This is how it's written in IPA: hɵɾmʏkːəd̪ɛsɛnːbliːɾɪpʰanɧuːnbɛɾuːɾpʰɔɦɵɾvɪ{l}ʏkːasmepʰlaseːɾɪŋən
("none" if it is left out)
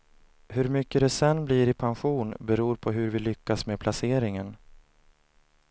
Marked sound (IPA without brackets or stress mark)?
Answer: l